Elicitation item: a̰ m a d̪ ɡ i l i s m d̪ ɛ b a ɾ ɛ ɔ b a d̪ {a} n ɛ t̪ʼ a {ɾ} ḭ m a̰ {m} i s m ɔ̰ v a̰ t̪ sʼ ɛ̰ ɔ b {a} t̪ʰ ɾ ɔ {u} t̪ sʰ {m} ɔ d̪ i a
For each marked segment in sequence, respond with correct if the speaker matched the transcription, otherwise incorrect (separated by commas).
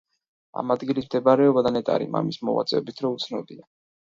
correct, correct, correct, incorrect, correct, incorrect